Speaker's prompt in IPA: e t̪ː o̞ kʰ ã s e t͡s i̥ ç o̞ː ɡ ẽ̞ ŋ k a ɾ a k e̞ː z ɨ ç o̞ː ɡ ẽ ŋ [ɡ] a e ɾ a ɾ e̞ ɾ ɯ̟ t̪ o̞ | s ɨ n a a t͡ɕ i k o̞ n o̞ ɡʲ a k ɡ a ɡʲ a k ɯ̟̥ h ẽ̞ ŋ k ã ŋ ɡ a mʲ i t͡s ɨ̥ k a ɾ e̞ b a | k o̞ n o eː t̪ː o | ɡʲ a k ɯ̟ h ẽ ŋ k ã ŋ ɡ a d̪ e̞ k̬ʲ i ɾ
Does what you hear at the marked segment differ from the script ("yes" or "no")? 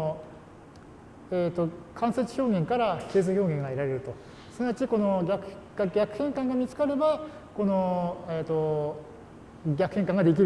no